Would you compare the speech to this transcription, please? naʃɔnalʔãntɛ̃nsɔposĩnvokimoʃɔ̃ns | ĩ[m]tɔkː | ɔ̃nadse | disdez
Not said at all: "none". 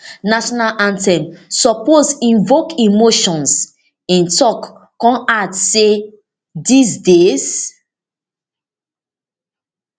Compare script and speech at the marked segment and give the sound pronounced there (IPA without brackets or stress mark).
n